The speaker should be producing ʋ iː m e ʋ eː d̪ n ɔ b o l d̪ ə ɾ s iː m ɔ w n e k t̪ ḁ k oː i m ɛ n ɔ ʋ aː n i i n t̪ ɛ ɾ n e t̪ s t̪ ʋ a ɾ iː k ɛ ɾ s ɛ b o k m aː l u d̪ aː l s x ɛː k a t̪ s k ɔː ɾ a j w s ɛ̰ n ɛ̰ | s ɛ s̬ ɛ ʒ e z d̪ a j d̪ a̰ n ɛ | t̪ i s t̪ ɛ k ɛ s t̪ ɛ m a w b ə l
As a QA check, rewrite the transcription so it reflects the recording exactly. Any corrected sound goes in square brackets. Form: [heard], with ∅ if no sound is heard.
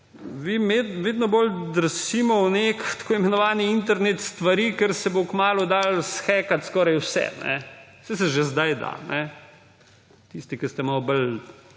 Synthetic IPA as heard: ʋ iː m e ʋ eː d̪ n ɔ b o l d̪ ə ɾ s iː m ɔ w n e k t̪ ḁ k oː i m ɛ n ɔ ʋ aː n i i n t̪ ɛ ɾ n e t̪ s t̪ ʋ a ɾ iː k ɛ ɾ s ɛ b o k m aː l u d̪ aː l s x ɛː k a t̪ s k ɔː ɾ a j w s ɛ̰ n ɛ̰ | s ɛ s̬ ɛ ʒ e z d̪ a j d̪ a̰ n ɛ | t̪ i s t̪ [i] k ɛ s t̪ ɛ m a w b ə l